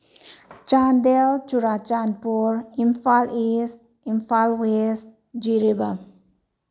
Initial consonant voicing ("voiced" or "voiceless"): voiceless